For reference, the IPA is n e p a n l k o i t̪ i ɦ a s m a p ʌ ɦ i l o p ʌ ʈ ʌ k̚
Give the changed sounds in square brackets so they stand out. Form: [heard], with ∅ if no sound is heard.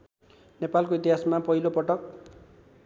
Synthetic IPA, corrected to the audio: n e p a [∅] l k o i t̪ i ɦ a s m a p ʌ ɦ i l o p ʌ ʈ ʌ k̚